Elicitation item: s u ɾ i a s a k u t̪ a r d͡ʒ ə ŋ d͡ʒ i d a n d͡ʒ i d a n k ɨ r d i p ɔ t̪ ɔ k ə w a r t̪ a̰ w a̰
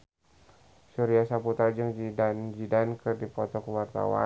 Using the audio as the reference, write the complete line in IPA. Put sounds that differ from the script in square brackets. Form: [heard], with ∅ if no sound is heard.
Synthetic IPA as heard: s u ɾ i a s a [p] u t̪ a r d͡ʒ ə ŋ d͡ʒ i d a n d͡ʒ i d a n k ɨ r d i p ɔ t̪ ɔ k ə w a r t̪ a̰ w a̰